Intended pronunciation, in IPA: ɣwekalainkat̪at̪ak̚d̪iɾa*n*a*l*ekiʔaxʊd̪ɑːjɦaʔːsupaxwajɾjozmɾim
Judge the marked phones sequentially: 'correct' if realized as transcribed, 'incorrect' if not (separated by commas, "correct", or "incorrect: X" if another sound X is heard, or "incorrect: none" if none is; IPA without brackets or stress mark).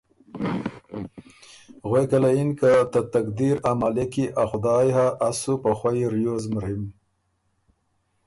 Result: incorrect: m, correct